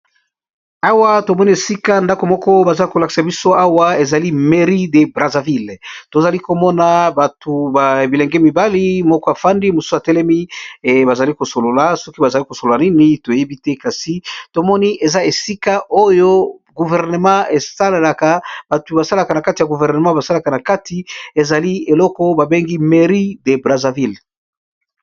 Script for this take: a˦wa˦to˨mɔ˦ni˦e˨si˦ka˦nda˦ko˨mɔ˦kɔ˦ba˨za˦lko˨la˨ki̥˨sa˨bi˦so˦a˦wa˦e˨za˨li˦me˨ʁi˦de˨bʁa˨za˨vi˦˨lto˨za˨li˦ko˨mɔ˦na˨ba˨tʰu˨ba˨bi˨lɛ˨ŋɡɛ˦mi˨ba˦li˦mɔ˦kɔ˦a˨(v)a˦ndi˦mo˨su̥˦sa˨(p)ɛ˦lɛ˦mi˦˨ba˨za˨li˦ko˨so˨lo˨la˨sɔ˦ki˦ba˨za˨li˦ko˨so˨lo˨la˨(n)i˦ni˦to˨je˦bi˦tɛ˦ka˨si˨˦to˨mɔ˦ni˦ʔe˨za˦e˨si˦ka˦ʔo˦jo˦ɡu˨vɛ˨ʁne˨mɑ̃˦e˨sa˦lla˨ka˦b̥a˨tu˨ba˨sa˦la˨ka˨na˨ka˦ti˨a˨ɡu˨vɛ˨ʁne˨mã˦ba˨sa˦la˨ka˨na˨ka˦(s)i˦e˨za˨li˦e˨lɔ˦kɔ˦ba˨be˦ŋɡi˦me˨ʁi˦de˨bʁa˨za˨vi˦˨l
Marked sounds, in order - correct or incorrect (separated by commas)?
incorrect, incorrect, correct, incorrect